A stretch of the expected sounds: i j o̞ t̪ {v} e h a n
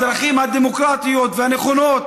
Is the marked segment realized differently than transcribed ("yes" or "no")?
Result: no